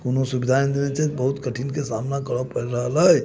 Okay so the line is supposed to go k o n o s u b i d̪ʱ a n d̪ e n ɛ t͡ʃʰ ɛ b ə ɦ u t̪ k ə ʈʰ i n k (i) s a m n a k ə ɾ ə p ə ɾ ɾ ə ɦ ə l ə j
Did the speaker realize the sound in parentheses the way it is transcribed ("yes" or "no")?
no